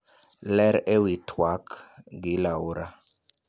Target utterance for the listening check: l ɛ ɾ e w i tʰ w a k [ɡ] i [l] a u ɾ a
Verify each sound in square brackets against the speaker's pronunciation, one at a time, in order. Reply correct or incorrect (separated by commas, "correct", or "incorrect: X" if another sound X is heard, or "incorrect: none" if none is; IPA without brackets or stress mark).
correct, correct